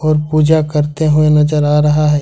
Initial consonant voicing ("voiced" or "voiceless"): voiced